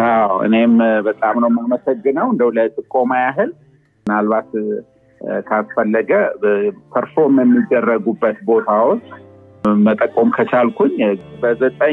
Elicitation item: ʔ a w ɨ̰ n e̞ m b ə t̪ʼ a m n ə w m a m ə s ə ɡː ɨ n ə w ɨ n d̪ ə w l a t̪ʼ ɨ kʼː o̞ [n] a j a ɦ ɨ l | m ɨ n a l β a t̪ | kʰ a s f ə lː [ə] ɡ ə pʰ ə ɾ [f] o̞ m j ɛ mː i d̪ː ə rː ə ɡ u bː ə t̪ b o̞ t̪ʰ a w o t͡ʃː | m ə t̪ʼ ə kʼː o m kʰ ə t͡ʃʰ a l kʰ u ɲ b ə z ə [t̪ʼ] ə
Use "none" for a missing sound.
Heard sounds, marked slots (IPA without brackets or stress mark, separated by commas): m, ə, f, t̪ʼ